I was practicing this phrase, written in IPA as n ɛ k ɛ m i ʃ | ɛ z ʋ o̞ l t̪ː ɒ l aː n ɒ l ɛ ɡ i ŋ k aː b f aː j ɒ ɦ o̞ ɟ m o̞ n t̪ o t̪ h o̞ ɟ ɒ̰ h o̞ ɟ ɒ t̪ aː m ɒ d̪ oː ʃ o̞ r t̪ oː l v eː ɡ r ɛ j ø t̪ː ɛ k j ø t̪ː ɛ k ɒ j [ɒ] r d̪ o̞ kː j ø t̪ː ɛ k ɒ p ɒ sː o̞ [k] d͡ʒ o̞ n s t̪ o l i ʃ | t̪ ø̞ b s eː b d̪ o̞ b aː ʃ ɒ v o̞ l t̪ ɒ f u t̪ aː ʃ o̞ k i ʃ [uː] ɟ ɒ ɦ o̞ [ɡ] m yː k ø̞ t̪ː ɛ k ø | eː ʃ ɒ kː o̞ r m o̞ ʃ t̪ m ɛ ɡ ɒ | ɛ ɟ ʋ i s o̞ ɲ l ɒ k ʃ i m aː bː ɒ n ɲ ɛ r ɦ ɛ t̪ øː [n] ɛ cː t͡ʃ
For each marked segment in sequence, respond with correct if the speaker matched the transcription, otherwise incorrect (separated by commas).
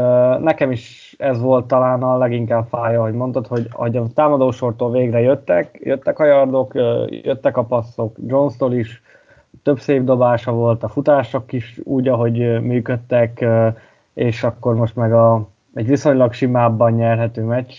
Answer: correct, correct, correct, incorrect, incorrect